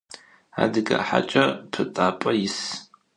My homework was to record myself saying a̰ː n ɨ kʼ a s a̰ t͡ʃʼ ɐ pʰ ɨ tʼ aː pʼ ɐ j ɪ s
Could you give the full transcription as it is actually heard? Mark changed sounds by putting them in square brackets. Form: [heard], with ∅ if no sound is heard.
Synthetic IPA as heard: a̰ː [d] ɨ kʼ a [ħ] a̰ t͡ʃʼ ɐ pʰ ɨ tʼ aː pʼ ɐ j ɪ s